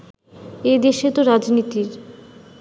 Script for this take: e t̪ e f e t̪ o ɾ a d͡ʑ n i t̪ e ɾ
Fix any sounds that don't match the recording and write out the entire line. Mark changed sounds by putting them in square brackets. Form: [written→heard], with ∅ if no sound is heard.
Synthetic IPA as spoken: e [t̪→d̪] e [f→ʃ] e t̪ o ɾ a d͡ʑ n i t̪ [e→i] ɾ